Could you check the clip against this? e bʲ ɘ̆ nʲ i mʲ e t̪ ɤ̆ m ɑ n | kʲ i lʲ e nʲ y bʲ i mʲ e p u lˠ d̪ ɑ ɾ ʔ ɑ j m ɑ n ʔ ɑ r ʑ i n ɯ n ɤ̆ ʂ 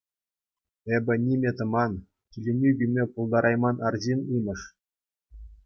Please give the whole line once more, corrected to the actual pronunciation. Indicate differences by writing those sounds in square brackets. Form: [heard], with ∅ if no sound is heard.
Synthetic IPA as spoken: e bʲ ɘ̆ nʲ i mʲ e t̪ ɤ̆ m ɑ n | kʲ i lʲ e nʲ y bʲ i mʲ e p u lˠ d̪ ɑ ɾ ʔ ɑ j m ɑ n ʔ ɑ r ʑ i n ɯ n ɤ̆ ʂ